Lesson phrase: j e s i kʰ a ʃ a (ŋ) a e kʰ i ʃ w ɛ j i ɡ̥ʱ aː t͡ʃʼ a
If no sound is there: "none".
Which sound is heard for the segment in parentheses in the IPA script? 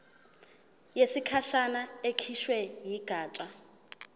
n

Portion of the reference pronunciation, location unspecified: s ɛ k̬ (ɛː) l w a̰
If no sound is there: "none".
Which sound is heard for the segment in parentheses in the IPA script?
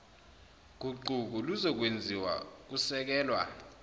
ɛː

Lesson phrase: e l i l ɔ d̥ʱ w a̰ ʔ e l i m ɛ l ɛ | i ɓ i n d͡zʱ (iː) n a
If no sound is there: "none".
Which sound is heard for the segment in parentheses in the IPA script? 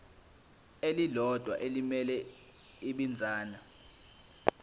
aː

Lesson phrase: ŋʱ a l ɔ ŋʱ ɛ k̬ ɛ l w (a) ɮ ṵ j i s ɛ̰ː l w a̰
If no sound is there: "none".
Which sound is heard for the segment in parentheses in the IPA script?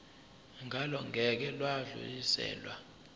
a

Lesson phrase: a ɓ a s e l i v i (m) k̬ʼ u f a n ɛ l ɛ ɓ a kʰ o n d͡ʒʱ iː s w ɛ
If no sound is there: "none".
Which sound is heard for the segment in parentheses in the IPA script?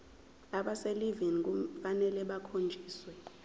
n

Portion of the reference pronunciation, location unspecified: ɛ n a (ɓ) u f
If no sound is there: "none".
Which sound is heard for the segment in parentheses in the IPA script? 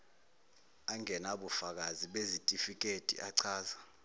ɓ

